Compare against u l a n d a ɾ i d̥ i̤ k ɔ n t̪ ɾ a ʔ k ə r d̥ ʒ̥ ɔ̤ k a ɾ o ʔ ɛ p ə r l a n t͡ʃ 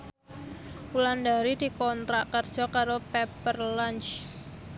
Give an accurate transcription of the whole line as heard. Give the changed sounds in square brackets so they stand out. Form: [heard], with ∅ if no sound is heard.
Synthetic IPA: u l a n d a ɾ i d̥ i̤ k ɔ n t̪ ɾ a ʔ k ə r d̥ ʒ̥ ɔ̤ k a ɾ o [p] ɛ p ə r l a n t͡ʃ